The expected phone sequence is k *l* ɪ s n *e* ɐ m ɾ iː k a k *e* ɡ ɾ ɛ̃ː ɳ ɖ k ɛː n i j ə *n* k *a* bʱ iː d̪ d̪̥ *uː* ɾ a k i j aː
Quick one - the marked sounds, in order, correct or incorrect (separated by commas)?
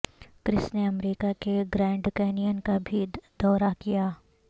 incorrect, correct, correct, correct, correct, incorrect